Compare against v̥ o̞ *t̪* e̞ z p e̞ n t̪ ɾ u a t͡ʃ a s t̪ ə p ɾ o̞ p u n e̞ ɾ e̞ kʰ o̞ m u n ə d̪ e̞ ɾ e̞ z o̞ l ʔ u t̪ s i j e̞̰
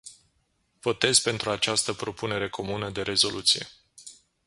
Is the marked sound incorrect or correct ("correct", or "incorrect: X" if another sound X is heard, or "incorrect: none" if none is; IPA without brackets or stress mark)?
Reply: correct